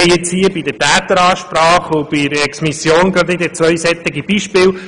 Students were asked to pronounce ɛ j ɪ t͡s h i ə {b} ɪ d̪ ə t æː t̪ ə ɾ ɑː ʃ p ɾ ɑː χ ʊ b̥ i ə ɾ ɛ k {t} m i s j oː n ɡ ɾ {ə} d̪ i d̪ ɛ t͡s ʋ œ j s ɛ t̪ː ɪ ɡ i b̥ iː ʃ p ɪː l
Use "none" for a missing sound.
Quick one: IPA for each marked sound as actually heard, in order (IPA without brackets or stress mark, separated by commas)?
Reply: b, s, ɑ